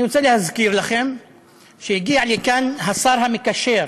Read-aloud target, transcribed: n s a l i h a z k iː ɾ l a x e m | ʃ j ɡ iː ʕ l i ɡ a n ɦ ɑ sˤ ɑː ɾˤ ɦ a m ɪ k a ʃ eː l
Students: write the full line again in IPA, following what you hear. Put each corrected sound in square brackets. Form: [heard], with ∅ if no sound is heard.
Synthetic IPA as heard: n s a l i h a z k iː ɾ l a x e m | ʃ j ɡ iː ʕ l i [k] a n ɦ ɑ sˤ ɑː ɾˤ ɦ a m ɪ k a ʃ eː [ɾ]